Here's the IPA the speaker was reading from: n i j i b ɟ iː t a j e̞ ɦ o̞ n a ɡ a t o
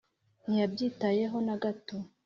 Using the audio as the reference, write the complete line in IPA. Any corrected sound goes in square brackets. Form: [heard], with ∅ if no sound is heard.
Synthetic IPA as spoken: n i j [a] b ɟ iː t a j e̞ ɦ o̞ n a ɡ a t o